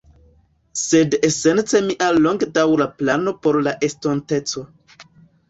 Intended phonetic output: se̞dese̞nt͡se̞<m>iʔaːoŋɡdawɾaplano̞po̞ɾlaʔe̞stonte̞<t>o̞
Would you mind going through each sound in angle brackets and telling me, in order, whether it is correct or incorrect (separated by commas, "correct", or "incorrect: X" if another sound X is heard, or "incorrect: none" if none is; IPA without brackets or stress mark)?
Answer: correct, incorrect: t͡s